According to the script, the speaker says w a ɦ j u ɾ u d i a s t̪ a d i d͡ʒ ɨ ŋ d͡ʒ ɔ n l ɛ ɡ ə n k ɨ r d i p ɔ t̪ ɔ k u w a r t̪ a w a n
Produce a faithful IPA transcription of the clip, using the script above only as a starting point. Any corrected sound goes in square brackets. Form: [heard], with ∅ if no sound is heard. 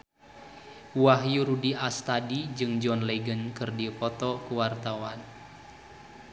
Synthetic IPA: w a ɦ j u ɾ u d i a s t̪ a d i d͡ʒ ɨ ŋ d͡ʒ ɔ n l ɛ ɡ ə n k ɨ r d i p ɔ t̪ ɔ k u w a r t̪ a w a n

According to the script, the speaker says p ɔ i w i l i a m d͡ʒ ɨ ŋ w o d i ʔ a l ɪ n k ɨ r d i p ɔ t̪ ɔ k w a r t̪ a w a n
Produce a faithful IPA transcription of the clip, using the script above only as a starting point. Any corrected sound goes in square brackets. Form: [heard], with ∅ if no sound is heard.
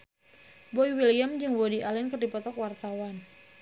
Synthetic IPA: [b] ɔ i w i l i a m d͡ʒ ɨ ŋ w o d i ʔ a l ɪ n k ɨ r d i p ɔ t̪ ɔ k w a r t̪ a w a n

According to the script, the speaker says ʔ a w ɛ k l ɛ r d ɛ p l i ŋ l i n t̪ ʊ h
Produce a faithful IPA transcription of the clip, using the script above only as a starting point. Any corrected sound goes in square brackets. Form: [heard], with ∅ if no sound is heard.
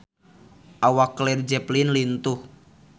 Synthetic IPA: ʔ a w [a] k l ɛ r [d͡ʒ] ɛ p l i [n] l i n t̪ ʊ h

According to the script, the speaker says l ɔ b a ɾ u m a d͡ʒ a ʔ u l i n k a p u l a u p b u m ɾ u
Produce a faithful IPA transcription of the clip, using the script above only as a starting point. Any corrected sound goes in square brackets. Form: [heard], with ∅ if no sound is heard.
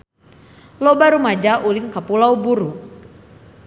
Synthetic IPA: l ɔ b a ɾ u m a d͡ʒ a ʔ u l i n k a p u l a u [∅] b u [∅] ɾ u

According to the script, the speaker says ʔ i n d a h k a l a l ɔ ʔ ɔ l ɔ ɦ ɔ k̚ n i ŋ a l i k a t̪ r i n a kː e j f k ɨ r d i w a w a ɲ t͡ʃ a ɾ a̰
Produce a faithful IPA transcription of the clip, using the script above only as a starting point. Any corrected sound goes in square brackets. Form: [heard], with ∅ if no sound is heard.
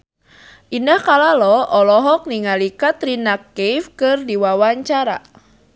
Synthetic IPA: ʔ i n d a h k a l a l ɔ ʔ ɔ l ɔ ɦ ɔ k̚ n i ŋ a l i k a t̪ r i n a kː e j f k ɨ r d i w a w a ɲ t͡ʃ a ɾ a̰

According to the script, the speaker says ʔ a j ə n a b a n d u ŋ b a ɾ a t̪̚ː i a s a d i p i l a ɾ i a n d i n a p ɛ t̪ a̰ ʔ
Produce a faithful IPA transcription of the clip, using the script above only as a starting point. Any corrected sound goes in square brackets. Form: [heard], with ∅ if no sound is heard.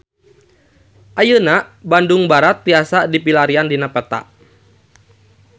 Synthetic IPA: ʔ a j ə n a b a n d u ŋ b a ɾ a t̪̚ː i a s a d i p i l a ɾ i a n d i n a p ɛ t̪ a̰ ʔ

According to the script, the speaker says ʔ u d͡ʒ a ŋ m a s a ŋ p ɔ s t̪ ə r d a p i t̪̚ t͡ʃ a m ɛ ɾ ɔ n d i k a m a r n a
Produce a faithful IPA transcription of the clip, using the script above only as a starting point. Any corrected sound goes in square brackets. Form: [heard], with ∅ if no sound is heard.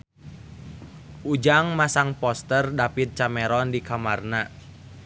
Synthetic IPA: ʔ u d͡ʒ a ŋ m a s a ŋ p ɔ s t̪ ə r d a p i t̪̚ t͡ʃ a m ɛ ɾ ɔ n d i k a m a r n a

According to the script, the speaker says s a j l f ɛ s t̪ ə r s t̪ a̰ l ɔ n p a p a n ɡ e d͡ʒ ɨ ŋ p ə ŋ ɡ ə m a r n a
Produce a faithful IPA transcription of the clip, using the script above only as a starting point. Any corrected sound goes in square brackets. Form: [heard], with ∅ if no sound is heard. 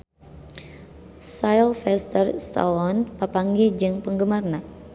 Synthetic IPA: s a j l f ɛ s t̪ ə r s t̪ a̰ l ɔ n p a p a [ŋ] ɡ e d͡ʒ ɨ ŋ p ə ŋ ɡ ə m a r n a

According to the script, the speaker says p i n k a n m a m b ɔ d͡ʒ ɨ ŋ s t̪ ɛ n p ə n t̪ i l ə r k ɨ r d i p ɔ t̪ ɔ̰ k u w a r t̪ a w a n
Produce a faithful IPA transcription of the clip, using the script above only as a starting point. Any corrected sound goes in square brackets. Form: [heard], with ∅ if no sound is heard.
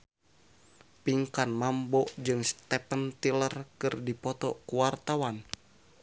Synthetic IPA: p i [ŋ] k a n m a m b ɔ d͡ʒ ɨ ŋ s t̪ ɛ [∅] p ə n t̪ i l ə r k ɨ r d i p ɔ t̪ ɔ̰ k u w a r t̪ a w a n

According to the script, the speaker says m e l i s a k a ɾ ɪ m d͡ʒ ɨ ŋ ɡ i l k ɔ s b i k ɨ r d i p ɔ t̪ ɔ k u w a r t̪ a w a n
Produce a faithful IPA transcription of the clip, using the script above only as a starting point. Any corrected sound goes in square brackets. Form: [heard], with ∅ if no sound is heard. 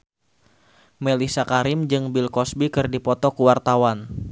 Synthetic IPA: m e l i s a k a ɾ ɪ m d͡ʒ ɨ ŋ [b] i l k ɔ s b i k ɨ r d i p ɔ t̪ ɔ k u w a r t̪ a w a n

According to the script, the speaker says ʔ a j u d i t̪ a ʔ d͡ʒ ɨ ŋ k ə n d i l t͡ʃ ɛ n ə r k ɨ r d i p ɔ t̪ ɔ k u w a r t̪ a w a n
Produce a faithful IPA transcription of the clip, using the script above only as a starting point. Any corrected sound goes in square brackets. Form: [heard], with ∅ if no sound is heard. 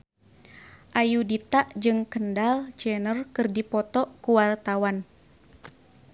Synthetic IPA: ʔ a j u d i t̪ a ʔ d͡ʒ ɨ ŋ k ə n d [a] l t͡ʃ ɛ n ə r k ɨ r d i p ɔ t̪ ɔ k u w a r t̪ a w a n

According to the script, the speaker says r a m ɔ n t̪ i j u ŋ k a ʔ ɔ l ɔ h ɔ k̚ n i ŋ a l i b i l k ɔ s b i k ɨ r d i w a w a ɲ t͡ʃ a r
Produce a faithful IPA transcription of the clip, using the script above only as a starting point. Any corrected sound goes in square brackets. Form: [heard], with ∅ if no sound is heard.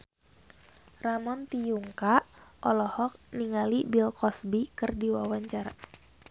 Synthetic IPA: r a m ɔ n t̪ i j u ŋ k a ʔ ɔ l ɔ h ɔ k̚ n i ŋ a l i b i l k ɔ s b i k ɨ r d i w a w a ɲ t͡ʃ a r

